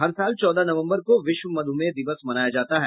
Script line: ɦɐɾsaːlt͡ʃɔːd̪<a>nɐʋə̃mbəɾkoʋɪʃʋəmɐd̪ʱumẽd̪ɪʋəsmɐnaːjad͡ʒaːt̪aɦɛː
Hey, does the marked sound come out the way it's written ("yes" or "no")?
yes